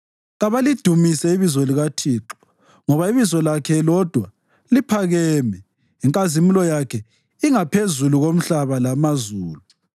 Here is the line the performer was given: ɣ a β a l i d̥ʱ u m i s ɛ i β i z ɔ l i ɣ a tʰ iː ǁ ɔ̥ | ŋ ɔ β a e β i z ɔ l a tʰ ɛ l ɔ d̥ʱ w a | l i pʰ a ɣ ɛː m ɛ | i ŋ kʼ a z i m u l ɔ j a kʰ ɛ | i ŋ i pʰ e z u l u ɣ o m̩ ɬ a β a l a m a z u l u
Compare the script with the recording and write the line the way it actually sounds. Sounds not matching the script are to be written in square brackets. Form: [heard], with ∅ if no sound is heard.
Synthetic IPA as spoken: ɣ a β a l i d̥ʱ u m i s ɛ i β i z ɔ l i ɣ a tʰ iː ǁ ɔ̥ | ŋ ɔ β a [i] β i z ɔ l a [kʰ] ɛ l ɔ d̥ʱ w a | l i pʰ a ɣ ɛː m ɛ | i ŋ kʼ a z i m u l ɔ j a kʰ ɛ | i ŋ [a] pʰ e z u l u ɣ o m̩ ɬ a β a l a m a z [uː] l u

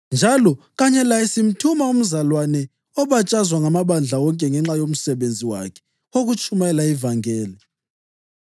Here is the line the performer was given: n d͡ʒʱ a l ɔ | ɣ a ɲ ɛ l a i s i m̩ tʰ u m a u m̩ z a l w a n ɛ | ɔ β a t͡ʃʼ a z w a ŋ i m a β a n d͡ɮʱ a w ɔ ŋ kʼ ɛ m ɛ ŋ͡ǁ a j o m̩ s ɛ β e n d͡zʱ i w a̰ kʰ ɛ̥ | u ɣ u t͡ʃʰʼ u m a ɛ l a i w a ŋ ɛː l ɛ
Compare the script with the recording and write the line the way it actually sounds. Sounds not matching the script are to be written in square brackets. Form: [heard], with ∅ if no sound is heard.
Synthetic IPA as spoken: n d͡ʒʱ a l ɔ | ɣ a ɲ ɛ l a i s i m̩ tʰ u m a u m̩ z a l w a n ɛ | ɔ β a t͡ʃʼ a z w a ŋ [a] m a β a n d͡ɮʱ a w ɔ ŋ kʼ ɛ [ŋ] ɛ ŋ͡ǁ a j o m̩ s ɛ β e n d͡zʱ i w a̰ kʰ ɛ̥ | [o] ɣ u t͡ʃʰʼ u m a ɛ l a i [v] a ŋ ɛː l ɛ

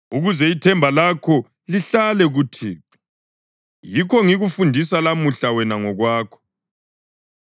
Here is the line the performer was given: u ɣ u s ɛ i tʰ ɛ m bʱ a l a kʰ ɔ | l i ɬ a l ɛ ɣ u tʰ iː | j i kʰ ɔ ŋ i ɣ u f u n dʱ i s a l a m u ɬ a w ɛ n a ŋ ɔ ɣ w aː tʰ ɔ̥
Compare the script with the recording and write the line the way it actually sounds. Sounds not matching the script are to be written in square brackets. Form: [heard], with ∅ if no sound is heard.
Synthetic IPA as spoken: u ɣ u [z] ɛ i tʰ ɛ m bʱ a l a kʰ ɔ | l i ɬ a l ɛ ɣ u tʰ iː | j i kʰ ɔ ŋ i ɣ u f u n dʱ i s a l a m u ɬ a w ɛ n a ŋ ɔ ɣ w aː [kʰ] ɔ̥

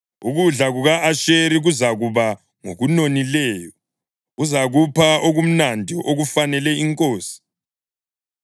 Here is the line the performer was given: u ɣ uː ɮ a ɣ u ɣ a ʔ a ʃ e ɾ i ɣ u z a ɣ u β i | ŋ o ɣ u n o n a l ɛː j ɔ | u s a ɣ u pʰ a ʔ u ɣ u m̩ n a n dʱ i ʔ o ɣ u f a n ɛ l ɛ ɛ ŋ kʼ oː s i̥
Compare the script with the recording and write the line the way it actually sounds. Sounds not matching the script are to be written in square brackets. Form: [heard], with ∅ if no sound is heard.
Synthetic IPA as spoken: u ɣ [u] ɮ a ɣ u ɣ a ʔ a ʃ e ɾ i ɣ u z a ɣ u β [a] | ŋ o ɣ u n o n [i] l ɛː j ɔ | u [z] a ɣ u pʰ a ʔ [o] ɣ u m̩ n a n dʱ i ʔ o ɣ u f a n ɛ l ɛ [i] ŋ kʼ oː s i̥

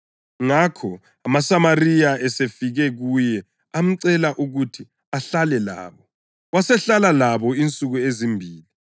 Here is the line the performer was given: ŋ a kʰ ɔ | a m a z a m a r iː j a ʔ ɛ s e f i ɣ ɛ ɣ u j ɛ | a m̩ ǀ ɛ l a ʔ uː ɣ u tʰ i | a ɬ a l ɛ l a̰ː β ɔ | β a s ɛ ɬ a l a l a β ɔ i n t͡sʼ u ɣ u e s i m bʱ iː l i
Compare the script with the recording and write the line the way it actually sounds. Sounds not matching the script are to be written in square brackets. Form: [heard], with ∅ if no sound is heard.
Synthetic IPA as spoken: ŋ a kʰ ɔ | a m a [s] a m a r [i] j a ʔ ɛ s e f i ɣ ɛ ɣ u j ɛ | a m̩ ǀ ɛ l a ʔ [u] ɣ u tʰ i | a ɬ a l ɛ l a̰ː β ɔ | [w] a s ɛ ɬ a l a l a β ɔ i n t͡sʼ u ɣ u e [z] i m bʱ iː l i

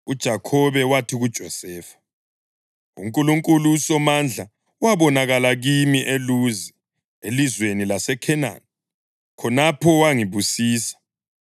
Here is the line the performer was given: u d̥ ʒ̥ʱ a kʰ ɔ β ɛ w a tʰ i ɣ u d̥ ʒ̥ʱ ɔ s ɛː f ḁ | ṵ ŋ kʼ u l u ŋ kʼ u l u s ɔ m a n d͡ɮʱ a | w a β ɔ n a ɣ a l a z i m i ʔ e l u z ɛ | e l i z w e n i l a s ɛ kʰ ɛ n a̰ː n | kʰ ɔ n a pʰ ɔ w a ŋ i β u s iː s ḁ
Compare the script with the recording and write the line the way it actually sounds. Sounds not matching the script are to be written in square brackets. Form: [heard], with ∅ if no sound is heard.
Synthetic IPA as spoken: u d̥ ʒ̥ʱ a kʰ ɔ β ɛ w a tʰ i ɣ u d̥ ʒ̥ʱ ɔ s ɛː f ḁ | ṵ ŋ kʼ u l u ŋ kʼ u l u s ɔ m a n d͡ɮʱ a | w a β ɔ n a ɣ a l a [ɣ] i m i ʔ e l u z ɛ | e l i z w e n i l a s ɛ kʰ ɛ n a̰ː n | kʰ ɔ n a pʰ ɔ w a ŋ i β u s iː s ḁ

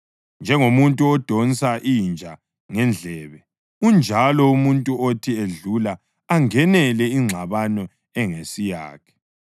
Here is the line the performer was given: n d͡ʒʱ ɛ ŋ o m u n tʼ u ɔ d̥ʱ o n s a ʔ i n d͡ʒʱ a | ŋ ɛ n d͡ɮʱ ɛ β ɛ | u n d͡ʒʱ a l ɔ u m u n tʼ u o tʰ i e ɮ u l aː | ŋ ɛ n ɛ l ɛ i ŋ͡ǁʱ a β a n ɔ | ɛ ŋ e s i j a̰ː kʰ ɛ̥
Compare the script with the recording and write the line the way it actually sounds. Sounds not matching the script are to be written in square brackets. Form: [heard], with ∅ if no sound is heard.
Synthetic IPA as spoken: n d͡ʒʱ ɛ ŋ o m u n tʼ u ɔ d̥ʱ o n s a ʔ i n d͡ʒʱ a | ŋ ɛ n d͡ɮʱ ɛ β ɛ | u n d͡ʒʱ a l ɔ u m u n tʼ u o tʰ i e ɮ u l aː | ŋ ɛ n ɛ l ɛ i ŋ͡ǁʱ a β a n ɔ | ɛ ŋ e s i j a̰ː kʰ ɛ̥

